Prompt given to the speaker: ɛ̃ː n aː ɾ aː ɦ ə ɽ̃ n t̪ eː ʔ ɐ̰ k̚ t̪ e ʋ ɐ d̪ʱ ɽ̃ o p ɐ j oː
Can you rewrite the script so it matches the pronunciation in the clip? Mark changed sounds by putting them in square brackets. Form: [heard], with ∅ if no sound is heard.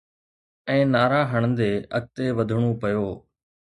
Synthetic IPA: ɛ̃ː n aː ɾ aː ɦ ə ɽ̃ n [d̪] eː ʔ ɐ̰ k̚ t̪ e ʋ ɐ d̪ʱ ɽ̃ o p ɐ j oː